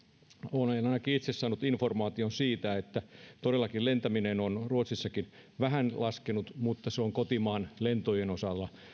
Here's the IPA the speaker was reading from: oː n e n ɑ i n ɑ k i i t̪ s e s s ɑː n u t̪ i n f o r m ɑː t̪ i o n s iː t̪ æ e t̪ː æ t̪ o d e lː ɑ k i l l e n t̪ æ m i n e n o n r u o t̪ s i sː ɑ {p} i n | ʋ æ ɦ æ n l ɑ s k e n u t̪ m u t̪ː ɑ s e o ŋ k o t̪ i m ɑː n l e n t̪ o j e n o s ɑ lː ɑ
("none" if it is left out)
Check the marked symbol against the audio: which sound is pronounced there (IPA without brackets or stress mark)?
k